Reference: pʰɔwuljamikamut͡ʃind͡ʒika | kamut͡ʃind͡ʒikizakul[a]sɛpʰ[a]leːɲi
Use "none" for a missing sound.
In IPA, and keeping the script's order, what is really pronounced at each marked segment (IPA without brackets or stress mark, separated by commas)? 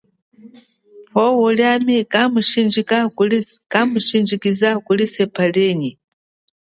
i, a